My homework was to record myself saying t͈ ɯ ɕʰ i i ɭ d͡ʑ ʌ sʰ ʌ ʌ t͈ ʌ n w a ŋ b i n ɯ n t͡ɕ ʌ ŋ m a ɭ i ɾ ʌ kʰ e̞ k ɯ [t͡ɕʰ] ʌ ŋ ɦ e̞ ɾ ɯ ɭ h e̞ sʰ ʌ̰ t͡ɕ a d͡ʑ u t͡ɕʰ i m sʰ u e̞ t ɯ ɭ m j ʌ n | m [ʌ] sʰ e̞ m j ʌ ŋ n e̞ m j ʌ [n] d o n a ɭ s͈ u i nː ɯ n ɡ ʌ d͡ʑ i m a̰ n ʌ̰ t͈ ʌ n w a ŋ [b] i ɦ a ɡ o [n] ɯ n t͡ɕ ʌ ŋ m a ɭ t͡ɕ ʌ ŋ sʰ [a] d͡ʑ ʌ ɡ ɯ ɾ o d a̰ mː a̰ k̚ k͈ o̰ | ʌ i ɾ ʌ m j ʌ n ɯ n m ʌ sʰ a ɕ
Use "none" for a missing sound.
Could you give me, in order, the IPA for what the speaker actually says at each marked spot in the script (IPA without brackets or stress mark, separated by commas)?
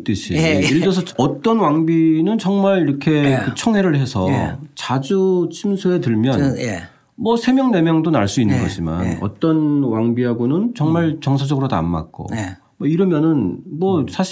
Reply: t͡ɕʰ, ʌ, ŋ, b, n, a